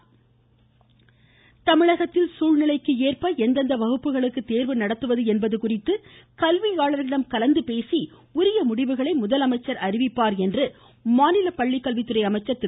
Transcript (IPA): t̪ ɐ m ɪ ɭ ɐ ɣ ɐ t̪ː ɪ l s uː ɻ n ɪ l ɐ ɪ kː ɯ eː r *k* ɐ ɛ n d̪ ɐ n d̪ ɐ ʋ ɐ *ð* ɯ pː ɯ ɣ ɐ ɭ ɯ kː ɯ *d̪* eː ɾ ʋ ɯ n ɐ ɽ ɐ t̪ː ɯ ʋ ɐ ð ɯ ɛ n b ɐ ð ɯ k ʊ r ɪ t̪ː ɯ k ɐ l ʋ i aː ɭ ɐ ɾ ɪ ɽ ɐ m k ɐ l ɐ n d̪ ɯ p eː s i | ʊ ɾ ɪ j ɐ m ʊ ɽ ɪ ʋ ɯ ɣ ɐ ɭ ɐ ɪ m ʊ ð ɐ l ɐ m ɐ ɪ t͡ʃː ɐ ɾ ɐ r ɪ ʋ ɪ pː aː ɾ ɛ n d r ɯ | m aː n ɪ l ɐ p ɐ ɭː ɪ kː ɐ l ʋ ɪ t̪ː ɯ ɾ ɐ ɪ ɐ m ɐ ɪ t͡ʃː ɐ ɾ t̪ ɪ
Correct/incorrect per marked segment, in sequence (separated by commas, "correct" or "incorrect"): incorrect, incorrect, incorrect